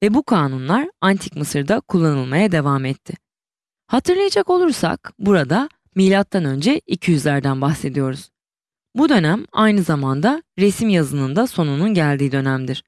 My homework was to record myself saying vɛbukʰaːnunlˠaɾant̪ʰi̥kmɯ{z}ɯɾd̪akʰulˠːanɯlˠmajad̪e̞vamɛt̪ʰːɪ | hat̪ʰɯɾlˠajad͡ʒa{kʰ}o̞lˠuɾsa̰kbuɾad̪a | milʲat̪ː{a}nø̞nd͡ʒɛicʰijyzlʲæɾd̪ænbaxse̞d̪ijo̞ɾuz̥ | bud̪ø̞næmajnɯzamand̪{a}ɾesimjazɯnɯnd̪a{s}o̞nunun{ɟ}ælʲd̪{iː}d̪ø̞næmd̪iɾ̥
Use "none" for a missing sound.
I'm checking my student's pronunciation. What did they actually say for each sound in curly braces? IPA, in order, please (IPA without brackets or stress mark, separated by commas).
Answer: s, k, a, a, s, ɟ, iː